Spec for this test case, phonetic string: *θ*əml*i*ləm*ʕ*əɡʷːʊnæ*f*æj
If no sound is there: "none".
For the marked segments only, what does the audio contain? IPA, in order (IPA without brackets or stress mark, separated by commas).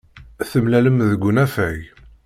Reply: θ, æ, ð, f